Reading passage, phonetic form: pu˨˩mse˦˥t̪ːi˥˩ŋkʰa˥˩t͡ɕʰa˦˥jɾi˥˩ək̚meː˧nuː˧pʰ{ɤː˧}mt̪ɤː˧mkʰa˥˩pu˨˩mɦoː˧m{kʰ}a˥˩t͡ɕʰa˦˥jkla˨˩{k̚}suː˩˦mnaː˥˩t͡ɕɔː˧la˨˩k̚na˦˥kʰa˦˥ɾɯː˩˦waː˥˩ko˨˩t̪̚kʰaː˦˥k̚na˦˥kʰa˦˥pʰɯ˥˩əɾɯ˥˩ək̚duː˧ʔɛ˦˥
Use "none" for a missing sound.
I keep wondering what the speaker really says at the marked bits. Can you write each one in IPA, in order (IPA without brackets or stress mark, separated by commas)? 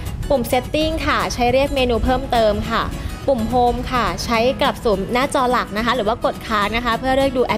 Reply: ɤː˥˩, kʰ, p̚